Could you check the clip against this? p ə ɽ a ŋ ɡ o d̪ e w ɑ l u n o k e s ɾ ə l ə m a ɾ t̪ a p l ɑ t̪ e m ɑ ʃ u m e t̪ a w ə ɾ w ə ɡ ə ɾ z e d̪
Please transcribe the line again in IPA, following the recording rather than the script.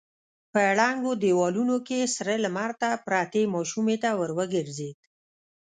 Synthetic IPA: p ə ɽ a ŋ ɡ o d̪ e w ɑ l u n o k e s ɾ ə l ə m a ɾ t̪ a p ɾ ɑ t̪ e m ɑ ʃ u m e t̪ a w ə ɾ w ə ɡ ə ɾ z e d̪